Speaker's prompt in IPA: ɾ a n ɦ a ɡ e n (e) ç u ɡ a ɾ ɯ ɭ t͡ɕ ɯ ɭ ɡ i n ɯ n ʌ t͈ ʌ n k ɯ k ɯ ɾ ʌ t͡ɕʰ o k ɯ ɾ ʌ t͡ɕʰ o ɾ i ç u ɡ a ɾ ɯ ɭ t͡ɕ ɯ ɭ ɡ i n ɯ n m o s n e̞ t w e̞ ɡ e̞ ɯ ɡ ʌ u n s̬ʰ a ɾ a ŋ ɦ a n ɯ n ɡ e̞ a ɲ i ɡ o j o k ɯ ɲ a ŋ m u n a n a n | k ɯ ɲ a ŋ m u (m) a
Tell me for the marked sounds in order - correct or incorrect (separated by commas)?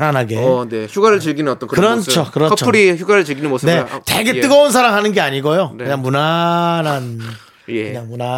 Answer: correct, incorrect